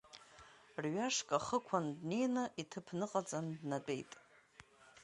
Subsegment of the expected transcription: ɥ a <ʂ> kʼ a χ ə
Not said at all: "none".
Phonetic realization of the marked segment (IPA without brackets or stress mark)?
ʂ